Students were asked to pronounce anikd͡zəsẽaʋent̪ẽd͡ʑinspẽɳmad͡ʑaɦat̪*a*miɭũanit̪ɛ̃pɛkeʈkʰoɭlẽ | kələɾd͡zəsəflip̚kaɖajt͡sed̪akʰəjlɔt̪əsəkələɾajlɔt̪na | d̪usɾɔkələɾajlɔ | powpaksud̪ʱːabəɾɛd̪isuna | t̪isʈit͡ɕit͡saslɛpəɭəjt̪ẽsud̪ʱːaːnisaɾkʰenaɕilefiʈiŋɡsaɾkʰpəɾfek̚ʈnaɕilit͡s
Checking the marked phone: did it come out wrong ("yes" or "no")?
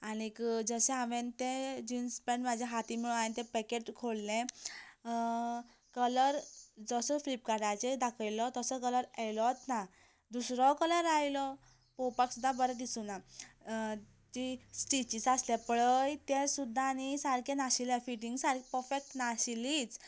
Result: yes